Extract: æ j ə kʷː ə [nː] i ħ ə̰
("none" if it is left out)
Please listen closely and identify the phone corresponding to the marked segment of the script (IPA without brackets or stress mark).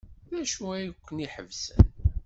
n